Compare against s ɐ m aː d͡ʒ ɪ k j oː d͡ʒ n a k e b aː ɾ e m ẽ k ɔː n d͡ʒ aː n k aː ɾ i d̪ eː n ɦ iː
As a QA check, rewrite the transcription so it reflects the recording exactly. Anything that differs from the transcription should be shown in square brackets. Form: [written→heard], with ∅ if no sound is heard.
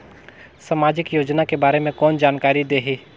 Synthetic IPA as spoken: s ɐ m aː d͡ʒ ɪ k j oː d͡ʒ n a k e b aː ɾ e m ẽ k ɔː n d͡ʒ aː n k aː ɾ i d̪ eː [n→∅] ɦ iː